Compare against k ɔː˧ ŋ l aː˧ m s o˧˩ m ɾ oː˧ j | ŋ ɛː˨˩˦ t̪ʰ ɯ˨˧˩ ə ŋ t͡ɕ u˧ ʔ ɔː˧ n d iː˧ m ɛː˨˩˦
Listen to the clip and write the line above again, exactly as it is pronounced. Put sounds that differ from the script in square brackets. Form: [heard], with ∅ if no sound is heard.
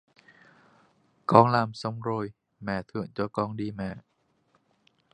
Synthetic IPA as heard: k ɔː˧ ŋ l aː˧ m s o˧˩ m ɾ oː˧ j | [m] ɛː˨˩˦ t̪ʰ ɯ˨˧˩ ə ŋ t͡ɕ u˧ [k] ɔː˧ [ŋ] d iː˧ m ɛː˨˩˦